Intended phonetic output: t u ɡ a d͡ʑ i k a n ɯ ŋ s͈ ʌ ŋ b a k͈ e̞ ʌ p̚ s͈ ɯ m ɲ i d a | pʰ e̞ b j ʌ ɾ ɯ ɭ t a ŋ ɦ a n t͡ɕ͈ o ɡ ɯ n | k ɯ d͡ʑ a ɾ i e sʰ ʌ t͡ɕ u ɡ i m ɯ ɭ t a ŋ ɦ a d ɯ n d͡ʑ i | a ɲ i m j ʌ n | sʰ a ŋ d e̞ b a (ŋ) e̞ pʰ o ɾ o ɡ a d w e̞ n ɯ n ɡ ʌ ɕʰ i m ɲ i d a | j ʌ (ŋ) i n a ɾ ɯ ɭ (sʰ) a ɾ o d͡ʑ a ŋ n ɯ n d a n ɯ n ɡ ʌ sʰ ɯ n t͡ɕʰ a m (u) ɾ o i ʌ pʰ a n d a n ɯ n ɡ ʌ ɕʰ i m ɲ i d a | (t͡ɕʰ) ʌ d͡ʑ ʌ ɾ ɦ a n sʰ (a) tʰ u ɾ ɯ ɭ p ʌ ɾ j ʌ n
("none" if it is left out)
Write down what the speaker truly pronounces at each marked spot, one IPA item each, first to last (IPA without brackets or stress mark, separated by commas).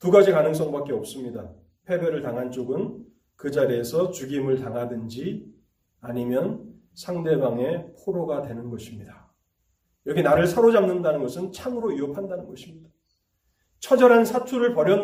ŋ, ɡ, sʰ, ɯ, t͡ɕʰ, a